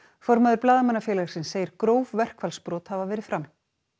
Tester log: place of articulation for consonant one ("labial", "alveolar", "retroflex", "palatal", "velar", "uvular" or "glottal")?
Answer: labial